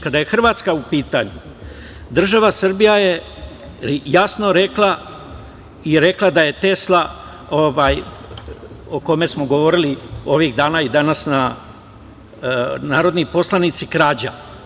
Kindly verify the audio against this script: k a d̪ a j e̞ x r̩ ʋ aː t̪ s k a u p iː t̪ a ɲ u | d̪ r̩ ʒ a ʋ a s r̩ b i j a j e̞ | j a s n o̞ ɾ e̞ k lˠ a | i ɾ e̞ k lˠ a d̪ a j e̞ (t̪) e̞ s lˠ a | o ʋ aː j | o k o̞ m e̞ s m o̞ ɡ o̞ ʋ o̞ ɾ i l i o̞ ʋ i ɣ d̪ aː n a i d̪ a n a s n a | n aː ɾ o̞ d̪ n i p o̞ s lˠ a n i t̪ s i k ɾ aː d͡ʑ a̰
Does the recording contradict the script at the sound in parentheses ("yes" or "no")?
no